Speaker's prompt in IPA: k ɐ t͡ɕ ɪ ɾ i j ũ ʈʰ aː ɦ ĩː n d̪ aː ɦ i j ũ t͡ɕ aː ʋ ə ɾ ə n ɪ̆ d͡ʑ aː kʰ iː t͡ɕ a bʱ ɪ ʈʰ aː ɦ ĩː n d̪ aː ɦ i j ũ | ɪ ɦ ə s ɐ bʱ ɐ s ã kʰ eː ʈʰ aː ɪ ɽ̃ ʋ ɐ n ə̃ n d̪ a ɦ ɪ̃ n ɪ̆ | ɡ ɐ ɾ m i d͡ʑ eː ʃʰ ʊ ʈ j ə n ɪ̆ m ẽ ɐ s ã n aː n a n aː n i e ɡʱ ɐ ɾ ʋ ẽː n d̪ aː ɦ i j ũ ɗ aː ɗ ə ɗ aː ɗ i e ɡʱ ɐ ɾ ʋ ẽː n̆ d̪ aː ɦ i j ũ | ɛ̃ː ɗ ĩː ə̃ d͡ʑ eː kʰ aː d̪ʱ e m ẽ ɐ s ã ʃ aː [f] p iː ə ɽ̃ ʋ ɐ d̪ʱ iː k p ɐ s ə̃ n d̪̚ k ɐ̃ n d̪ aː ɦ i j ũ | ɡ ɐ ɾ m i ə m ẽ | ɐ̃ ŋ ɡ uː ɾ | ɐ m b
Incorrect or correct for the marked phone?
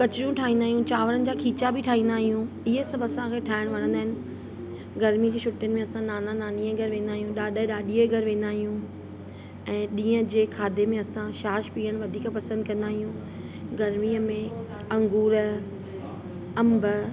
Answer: incorrect: ʃ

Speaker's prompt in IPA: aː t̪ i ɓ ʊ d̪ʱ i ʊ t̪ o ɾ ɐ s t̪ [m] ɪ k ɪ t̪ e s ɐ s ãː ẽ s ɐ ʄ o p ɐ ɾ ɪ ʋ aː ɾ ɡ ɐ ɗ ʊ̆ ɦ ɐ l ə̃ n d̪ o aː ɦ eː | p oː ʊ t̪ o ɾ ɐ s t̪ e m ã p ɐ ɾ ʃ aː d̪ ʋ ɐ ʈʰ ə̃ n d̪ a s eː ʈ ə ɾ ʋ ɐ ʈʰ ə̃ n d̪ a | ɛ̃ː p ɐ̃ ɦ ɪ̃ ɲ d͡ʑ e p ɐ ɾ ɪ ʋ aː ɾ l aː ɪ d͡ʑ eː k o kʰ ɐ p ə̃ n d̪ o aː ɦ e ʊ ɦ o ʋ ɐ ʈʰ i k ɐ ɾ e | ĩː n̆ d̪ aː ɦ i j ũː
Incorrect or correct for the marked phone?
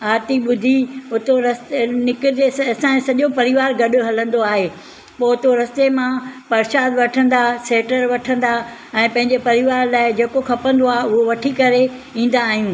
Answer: incorrect: n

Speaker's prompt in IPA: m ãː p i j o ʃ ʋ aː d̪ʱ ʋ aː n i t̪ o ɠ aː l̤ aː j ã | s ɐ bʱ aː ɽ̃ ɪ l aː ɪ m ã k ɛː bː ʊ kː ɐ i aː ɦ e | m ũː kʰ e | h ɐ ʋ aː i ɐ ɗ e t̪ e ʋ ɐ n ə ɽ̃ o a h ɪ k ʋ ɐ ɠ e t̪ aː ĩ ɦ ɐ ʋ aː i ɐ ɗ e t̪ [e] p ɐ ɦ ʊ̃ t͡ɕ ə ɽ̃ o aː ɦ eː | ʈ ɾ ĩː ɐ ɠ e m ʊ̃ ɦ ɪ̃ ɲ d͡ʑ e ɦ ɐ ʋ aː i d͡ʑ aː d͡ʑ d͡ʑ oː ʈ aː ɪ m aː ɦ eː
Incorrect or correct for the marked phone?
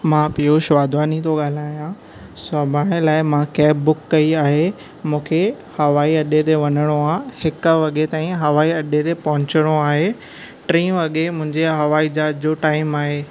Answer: correct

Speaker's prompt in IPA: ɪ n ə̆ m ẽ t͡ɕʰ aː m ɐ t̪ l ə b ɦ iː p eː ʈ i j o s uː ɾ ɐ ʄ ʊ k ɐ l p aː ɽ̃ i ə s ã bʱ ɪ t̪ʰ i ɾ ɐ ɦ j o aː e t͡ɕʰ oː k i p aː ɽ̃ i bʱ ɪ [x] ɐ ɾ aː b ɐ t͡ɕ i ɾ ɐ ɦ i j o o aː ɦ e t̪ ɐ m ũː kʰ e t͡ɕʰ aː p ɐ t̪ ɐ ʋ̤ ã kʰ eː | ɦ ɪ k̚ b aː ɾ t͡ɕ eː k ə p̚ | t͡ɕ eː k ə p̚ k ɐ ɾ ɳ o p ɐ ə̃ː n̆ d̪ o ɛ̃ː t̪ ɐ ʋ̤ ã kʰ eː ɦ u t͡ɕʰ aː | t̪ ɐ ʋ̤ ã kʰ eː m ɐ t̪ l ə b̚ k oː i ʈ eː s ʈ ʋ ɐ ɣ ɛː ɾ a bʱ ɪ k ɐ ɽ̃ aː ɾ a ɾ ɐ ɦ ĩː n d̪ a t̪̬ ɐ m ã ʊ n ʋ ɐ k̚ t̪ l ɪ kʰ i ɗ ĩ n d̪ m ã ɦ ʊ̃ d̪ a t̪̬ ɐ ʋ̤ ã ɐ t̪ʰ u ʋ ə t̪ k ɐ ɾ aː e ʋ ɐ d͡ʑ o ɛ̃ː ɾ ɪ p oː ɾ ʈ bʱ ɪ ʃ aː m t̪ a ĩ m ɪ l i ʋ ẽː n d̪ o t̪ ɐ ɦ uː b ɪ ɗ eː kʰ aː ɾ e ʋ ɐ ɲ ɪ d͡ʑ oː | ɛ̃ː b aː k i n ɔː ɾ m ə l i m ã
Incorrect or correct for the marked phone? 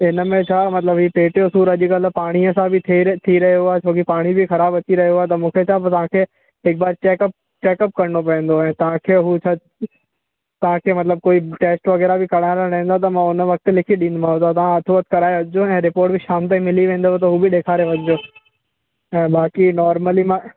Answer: correct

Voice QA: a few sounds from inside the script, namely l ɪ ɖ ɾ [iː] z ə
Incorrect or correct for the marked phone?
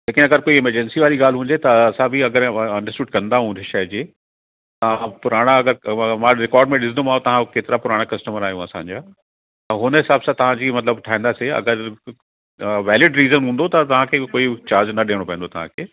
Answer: correct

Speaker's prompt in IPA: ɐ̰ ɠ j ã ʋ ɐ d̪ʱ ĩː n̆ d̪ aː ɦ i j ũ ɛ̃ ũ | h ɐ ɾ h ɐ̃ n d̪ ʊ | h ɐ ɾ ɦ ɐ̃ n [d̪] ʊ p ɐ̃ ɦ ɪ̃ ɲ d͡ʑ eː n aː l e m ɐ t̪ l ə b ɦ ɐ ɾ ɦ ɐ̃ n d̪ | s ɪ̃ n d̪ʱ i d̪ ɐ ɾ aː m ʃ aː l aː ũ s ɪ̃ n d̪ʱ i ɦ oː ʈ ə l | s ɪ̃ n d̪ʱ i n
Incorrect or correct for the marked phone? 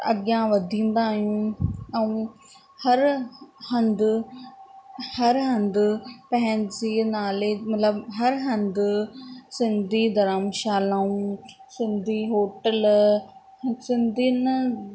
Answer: correct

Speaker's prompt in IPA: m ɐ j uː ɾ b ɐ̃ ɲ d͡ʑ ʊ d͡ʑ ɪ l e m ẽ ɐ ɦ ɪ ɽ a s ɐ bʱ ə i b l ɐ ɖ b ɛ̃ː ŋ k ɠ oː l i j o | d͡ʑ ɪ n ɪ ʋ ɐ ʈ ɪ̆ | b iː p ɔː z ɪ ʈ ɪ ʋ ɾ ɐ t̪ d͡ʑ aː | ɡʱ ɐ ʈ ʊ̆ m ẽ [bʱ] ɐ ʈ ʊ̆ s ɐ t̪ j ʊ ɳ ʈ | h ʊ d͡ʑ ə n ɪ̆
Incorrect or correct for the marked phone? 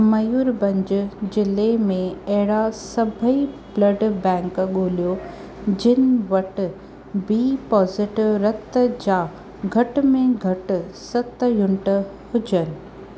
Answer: incorrect: ɡʱ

